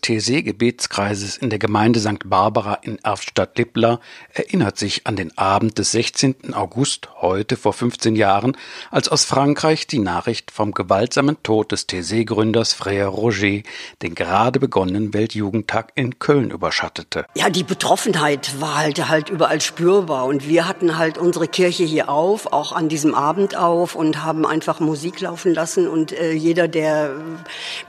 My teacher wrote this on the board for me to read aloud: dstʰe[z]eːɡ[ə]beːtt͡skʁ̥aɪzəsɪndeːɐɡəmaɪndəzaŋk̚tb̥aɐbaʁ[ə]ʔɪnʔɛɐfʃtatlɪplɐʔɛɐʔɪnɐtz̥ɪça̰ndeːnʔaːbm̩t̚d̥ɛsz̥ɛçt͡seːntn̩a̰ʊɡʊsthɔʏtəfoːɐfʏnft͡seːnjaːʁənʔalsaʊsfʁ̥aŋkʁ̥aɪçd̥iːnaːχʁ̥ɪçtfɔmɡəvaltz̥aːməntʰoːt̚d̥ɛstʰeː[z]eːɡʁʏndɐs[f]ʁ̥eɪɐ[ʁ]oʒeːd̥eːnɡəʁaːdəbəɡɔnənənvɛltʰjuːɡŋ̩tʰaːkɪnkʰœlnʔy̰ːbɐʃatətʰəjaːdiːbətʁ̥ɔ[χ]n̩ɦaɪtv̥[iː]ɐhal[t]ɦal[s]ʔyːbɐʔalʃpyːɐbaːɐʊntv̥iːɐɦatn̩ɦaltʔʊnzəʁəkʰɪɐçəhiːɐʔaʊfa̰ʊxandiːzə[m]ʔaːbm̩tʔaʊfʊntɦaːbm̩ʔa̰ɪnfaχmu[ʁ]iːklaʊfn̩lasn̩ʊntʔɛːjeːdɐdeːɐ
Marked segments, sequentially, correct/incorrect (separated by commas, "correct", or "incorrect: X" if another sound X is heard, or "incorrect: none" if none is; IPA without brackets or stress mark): correct, correct, incorrect: a, correct, correct, correct, incorrect: f, incorrect: aː, correct, incorrect: t, correct, incorrect: z